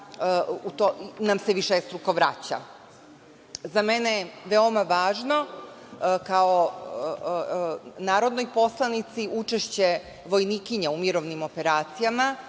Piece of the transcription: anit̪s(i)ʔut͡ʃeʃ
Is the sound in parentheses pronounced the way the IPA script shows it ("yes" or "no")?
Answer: yes